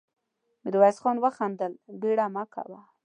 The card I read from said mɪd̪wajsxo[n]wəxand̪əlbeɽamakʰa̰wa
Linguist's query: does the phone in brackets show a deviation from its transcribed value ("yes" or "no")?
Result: no